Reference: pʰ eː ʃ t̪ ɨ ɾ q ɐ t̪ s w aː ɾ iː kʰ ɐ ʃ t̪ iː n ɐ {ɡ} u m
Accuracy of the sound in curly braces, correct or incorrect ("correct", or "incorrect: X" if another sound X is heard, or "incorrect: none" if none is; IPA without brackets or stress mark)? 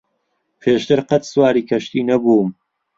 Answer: incorrect: b